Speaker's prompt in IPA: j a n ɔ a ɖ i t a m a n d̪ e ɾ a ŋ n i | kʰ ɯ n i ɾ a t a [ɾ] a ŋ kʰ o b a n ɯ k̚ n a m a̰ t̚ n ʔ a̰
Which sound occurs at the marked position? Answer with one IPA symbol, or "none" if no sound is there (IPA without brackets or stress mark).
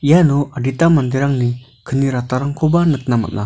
ɾ